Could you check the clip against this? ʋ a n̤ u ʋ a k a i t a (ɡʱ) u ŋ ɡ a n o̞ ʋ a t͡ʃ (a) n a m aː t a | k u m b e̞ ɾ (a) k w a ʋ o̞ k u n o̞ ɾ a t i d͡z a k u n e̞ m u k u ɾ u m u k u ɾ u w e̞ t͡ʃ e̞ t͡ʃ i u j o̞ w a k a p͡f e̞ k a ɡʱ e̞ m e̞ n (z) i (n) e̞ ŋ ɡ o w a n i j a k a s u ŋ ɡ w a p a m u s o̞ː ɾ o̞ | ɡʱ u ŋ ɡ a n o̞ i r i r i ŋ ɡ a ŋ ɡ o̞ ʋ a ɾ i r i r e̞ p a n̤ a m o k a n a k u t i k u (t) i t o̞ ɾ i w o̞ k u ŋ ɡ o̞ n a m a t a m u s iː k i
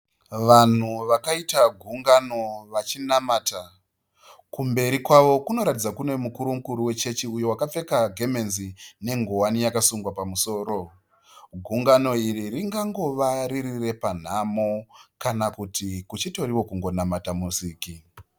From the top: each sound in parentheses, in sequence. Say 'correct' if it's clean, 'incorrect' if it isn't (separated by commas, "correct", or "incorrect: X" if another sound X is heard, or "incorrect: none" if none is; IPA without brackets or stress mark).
correct, incorrect: i, incorrect: i, correct, correct, incorrect: t͡ʃ